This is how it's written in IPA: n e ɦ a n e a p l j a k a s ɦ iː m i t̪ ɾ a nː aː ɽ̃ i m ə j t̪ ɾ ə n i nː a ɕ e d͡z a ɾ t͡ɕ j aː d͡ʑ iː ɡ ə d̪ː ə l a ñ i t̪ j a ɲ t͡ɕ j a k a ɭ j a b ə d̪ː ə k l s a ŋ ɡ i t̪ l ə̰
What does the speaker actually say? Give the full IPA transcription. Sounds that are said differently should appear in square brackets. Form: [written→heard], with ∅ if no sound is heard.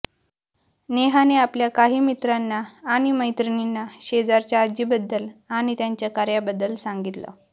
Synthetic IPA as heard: n e ɦ a n e a p l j a k a [s→∅] ɦ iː m i t̪ ɾ a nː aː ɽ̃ i m ə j t̪ ɾ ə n i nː a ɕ e d͡z a ɾ t͡ɕ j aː d͡ʑ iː [ɡ→b] ə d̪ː ə l a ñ i t̪ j a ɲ t͡ɕ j a k a [ɭ→ɾ] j a b ə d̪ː ə [k→∅] l s a ŋ ɡ i t̪ l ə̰

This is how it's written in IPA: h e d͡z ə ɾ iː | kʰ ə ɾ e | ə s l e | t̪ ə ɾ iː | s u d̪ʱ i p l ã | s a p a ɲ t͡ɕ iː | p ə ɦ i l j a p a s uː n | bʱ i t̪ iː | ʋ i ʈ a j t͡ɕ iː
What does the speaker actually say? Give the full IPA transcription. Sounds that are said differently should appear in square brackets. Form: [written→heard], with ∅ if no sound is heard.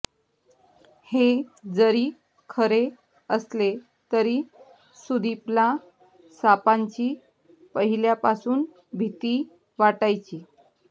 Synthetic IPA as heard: h e d͡z ə ɾ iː | kʰ ə ɾ e | ə s l e | t̪ ə ɾ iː | s u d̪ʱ i p l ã | s a p a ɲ t͡ɕ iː | p ə ɦ i l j a p a s uː n | bʱ i t̪ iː | ʋ [i→a] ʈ a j t͡ɕ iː

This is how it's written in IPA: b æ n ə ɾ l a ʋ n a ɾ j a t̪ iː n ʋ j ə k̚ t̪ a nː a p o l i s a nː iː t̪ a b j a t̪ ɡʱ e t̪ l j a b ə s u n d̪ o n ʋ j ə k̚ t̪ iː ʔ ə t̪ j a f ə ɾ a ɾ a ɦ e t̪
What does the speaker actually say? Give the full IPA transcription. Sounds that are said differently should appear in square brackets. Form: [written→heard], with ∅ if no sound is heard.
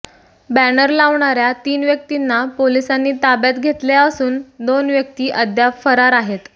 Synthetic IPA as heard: b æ n ə ɾ l a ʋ [n→ɳ] a ɾ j a t̪ iː n ʋ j ə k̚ t̪ [a→i] nː a p o l i s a nː iː t̪ a b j a t̪ ɡʱ e t̪ l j a [b→∅] ə s [u→uː] n d̪ o n ʋ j ə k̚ t̪ iː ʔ ə [t̪→d̪] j a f ə ɾ a ɾ a ɦ e t̪

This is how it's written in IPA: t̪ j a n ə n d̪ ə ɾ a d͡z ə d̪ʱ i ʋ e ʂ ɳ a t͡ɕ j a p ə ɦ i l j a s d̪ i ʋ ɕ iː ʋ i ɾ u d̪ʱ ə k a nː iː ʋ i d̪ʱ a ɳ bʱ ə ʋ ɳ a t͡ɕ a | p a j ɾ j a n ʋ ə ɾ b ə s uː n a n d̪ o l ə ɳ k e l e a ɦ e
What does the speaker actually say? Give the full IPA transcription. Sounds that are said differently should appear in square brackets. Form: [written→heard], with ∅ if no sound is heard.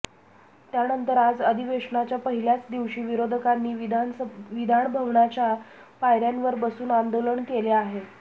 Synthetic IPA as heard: t̪ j a n ə n [d̪→t̪] ə ɾ a d͡z ə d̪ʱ i ʋ e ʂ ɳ a t͡ɕ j a p ə ɦ i l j a [s→t͡s] d̪ i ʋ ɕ iː ʋ i ɾ [u→o] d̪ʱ ə k a nː iː ʋ i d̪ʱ a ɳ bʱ ə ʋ ɳ a t͡ɕ a | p a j ɾ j a n ʋ ə ɾ b ə s uː n a n d̪ o l ə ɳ k e l e a ɦ e

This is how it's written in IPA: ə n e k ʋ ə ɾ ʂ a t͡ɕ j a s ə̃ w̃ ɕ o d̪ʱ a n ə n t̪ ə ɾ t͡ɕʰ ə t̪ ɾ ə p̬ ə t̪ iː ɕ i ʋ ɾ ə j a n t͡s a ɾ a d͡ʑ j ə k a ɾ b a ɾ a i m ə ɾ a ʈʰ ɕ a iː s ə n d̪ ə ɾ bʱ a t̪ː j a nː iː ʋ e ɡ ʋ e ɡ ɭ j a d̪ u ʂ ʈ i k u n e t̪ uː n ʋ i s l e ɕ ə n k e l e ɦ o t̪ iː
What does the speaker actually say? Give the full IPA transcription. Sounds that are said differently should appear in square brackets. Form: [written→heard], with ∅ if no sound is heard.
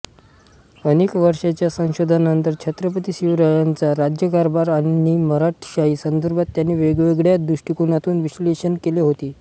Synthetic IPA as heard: ə n e k ʋ ə ɾ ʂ a t͡ɕ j a s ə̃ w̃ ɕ o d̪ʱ a n ə n t̪ ə ɾ t͡ɕʰ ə t̪ ɾ ə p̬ ə t̪ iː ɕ i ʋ ɾ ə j a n t͡s a ɾ a d͡ʑ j ə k a ɾ b a ɾ a i m ə ɾ a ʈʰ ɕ a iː s ə n d̪ ə ɾ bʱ a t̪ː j a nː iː ʋ e ɡ ʋ e ɡ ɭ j a d̪ u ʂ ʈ i k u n [e→a] t̪ uː n ʋ i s l e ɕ ə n k e l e ɦ o t̪ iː

